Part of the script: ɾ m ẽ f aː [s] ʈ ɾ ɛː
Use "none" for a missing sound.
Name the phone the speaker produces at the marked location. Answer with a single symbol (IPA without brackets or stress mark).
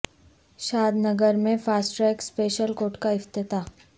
s